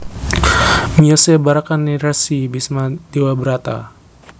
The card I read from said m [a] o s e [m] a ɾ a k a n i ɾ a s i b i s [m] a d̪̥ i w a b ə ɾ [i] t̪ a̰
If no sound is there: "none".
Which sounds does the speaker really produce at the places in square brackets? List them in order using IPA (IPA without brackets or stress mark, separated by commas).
i, b, m, a